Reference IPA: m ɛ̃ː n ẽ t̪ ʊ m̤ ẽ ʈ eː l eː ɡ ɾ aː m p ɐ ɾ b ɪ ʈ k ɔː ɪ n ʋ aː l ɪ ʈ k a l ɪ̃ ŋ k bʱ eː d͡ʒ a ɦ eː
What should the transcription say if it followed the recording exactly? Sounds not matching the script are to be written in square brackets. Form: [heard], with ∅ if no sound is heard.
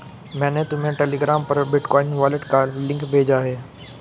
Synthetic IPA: m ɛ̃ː n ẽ t̪ ʊ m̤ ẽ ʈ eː l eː ɡ ɾ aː m p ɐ ɾ b ɪ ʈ k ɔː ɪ n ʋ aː l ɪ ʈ k a l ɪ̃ ŋ k bʱ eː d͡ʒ a ɦ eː